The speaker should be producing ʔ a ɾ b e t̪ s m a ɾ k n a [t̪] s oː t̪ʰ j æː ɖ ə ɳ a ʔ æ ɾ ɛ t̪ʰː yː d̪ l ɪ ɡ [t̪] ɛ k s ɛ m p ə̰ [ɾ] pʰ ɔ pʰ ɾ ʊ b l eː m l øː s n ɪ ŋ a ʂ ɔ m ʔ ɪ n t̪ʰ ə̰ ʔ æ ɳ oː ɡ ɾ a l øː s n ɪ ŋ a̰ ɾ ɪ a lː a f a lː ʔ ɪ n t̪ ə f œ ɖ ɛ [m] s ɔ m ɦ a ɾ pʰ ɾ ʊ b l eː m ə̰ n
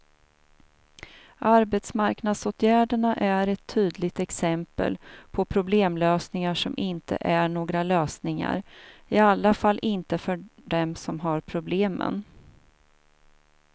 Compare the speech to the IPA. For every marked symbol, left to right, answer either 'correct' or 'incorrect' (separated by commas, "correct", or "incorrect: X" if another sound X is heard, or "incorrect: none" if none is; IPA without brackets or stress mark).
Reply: incorrect: d̪, correct, incorrect: l, correct